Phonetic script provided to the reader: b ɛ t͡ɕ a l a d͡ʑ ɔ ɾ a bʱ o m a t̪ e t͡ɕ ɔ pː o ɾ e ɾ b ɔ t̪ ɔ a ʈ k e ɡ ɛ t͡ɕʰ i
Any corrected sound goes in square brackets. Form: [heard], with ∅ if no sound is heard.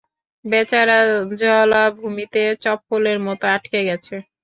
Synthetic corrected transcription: b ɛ t͡ɕ a [ɾ] a d͡ʑ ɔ [l] a bʱ [u] m [i] t̪ e t͡ɕ ɔ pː o [l] e ɾ [m] ɔ t̪ [o] a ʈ k e ɡ ɛ t͡ɕʰ [e]